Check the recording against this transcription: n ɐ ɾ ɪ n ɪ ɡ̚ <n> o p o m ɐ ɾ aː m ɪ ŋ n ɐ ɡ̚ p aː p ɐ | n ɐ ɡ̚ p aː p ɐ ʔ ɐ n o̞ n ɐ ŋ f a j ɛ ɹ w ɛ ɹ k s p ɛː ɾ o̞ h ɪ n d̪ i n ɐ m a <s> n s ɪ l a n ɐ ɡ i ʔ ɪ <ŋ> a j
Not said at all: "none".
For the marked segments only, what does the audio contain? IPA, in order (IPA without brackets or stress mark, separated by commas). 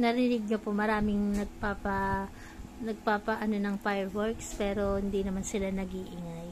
ɲ, none, ŋ